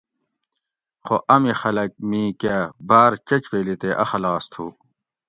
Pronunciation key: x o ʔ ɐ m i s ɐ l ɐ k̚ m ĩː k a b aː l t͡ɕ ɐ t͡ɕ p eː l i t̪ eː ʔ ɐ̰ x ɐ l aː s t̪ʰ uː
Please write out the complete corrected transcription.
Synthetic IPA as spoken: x o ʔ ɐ m i x ɐ l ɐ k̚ m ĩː k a b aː ɾ t͡ɕ ɐ t͡ɕ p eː l i t̪ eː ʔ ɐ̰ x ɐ l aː s t̪ʰ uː